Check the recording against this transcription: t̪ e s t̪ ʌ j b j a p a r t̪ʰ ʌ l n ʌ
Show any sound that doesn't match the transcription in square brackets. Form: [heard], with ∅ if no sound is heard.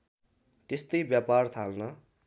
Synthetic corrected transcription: t̪ e s t̪ ʌ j b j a p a r t̪ʰ [a] l n ʌ